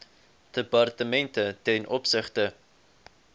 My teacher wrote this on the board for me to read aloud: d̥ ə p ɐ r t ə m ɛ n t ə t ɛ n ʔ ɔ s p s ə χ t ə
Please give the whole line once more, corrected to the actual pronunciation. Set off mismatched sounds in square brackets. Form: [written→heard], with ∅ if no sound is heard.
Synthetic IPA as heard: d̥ ə p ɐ r t ə m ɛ n t ə t ɛ n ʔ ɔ [s→∅] p s ə χ t ə